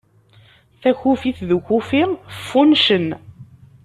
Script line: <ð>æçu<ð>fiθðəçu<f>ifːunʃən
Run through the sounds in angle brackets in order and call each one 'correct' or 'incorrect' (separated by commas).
incorrect, incorrect, correct